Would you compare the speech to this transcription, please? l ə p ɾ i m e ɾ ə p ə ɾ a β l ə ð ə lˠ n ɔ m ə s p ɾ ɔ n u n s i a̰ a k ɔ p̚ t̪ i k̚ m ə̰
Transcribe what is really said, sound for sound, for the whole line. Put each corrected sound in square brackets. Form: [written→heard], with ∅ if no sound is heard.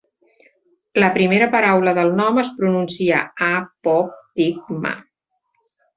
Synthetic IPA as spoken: l ə p ɾ i m e ɾ ə p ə ɾ a [β→w] l ə ð ə lˠ n ɔ m ə s p ɾ [ɔ→u] n u n s i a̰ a [k→p] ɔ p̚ t̪ i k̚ m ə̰